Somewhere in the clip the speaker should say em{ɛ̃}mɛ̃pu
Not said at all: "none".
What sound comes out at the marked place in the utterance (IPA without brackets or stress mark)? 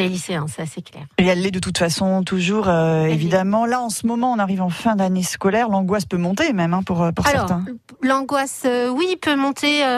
ɛ